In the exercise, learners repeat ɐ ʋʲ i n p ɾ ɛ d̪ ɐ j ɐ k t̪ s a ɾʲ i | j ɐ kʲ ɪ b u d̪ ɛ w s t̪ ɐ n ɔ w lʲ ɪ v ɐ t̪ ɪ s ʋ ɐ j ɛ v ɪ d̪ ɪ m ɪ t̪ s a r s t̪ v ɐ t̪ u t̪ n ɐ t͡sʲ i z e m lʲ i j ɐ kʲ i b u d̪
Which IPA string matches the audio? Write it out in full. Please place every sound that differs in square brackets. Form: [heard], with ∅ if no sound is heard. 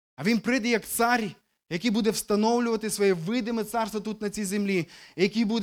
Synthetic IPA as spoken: ɐ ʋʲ i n p ɾ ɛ d̪ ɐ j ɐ k t̪ s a ɾʲ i | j ɐ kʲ [i] b u d̪ ɛ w s t̪ ɐ n ɔ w lʲ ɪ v ɐ t̪ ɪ s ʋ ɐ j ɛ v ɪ d̪ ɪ m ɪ t̪ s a r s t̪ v ɐ t̪ u t̪ n ɐ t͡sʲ i z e m lʲ i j ɐ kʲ i b u d̪